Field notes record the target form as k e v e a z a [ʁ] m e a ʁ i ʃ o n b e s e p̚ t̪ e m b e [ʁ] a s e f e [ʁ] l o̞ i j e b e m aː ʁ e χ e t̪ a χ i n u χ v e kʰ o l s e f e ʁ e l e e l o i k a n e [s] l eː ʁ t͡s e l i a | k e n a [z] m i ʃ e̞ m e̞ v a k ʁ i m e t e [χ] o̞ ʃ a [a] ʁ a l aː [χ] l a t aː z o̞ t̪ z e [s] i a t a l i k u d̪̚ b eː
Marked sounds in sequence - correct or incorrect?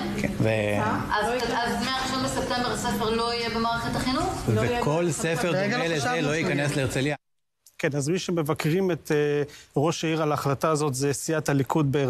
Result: incorrect: z, correct, correct, correct, correct, incorrect: ʁ, incorrect: i, correct, correct

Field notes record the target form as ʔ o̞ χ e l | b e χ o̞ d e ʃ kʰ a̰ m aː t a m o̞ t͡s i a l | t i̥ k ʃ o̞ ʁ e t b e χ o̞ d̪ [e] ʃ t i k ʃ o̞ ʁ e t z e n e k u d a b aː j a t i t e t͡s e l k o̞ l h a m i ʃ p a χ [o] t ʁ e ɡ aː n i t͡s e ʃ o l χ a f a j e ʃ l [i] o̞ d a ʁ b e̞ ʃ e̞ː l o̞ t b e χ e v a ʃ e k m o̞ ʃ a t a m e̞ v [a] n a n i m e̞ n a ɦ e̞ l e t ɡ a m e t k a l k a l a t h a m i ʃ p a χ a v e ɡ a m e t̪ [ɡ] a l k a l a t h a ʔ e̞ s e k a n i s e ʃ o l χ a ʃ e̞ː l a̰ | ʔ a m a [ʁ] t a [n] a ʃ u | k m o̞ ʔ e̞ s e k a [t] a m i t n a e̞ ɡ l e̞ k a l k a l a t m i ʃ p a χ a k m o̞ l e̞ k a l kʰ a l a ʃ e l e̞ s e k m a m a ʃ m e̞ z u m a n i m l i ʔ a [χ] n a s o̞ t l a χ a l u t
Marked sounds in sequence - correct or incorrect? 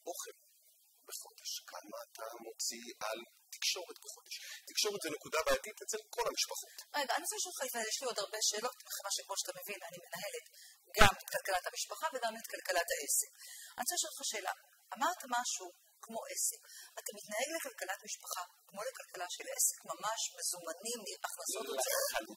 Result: correct, correct, correct, incorrect: i, incorrect: k, correct, incorrect: m, correct, correct

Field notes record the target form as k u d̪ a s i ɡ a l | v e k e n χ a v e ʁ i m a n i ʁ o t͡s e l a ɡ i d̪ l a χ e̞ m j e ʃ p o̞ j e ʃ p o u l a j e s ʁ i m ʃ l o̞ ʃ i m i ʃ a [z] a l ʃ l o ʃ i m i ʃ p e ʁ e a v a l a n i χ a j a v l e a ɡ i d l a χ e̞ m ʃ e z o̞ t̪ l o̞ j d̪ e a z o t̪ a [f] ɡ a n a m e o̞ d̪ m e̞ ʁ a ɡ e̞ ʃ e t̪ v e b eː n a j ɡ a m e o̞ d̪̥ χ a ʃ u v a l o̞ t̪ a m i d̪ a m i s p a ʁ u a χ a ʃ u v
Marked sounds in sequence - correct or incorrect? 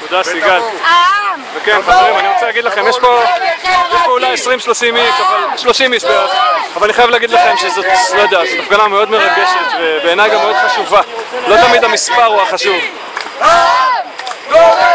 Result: incorrect: v, correct

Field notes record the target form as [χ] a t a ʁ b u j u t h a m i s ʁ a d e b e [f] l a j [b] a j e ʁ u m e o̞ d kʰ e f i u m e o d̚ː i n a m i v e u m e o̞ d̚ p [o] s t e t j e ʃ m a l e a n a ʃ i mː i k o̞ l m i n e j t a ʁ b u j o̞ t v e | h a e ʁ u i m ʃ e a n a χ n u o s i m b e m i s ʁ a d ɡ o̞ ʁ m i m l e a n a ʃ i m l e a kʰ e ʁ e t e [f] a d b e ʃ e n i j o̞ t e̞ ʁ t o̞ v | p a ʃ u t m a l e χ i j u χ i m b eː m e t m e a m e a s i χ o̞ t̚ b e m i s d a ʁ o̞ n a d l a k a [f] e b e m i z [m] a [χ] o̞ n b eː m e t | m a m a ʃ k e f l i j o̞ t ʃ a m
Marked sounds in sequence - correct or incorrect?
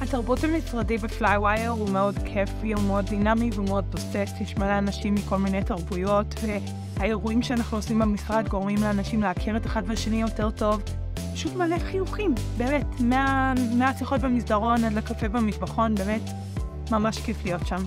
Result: incorrect: h, correct, incorrect: w, correct, incorrect: χ, correct, incorrect: b, correct

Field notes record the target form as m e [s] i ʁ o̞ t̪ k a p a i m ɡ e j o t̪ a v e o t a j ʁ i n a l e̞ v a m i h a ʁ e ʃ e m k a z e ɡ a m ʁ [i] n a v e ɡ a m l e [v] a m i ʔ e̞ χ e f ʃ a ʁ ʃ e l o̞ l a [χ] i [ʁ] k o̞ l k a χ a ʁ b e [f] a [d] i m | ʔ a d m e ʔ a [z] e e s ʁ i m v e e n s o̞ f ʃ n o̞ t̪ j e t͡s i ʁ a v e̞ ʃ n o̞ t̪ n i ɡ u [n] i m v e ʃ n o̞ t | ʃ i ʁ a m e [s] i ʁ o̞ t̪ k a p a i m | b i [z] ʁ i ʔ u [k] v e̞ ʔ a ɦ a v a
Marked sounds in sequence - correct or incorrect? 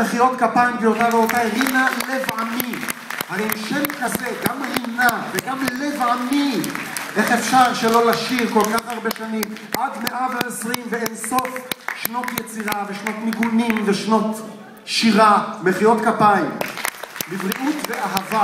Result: incorrect: χ, correct, correct, incorrect: ʃ, correct, incorrect: ʃ, incorrect: n, incorrect: v, correct, incorrect: χ, incorrect: v, incorrect: t

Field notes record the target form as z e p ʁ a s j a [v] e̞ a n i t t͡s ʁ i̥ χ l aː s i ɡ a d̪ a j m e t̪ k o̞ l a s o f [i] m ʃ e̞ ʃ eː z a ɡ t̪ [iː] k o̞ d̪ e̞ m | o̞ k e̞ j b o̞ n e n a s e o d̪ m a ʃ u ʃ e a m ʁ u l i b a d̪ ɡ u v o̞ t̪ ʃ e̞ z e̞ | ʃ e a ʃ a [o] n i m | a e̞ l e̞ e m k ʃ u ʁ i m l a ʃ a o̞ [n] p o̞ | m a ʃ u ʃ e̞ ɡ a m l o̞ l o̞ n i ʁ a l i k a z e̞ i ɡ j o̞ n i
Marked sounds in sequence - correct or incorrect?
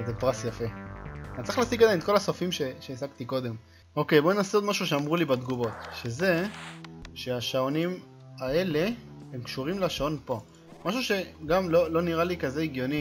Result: incorrect: f, correct, incorrect: i, correct, correct

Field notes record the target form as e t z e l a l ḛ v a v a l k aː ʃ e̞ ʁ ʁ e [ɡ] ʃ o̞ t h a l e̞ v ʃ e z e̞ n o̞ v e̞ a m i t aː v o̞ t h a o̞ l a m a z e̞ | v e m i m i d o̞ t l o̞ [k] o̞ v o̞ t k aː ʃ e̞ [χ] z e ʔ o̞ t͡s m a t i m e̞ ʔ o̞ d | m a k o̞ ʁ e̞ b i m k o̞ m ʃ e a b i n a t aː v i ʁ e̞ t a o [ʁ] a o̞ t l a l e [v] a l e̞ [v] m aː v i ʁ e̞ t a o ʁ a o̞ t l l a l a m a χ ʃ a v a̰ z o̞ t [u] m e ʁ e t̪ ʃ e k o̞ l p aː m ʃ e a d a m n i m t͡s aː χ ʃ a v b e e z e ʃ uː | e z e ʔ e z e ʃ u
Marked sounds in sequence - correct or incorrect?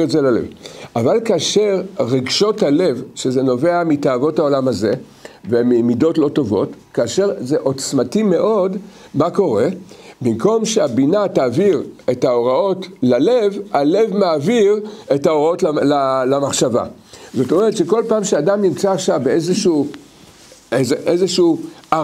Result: correct, incorrect: t, incorrect: ʁ, correct, correct, correct, incorrect: o

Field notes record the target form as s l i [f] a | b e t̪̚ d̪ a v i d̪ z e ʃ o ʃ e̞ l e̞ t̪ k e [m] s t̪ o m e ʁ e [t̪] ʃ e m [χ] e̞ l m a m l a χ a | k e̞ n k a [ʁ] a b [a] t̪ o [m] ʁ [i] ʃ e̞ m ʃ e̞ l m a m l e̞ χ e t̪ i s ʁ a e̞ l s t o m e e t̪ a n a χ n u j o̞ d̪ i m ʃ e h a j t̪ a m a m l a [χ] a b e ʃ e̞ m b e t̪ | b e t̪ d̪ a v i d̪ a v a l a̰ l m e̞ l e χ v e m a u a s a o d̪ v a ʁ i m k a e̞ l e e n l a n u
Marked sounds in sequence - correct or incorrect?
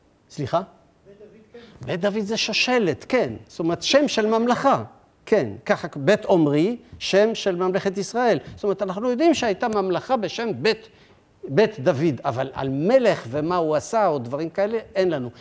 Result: incorrect: χ, incorrect: n, correct, incorrect: ʃ, incorrect: χ, incorrect: e, correct, correct, correct

